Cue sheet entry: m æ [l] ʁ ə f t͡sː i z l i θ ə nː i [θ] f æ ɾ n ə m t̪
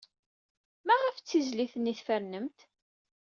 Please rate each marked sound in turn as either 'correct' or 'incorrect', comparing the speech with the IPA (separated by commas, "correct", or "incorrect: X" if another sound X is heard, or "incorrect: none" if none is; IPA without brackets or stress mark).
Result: incorrect: none, correct